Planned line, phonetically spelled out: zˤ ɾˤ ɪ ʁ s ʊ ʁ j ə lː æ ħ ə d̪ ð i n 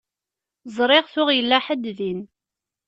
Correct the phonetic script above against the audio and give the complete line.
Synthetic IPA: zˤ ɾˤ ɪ ʁ θ ʊ ʁ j ə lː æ ħ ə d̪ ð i n